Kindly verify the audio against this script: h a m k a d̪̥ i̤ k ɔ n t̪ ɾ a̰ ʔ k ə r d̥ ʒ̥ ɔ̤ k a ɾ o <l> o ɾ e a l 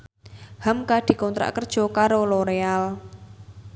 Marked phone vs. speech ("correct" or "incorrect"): correct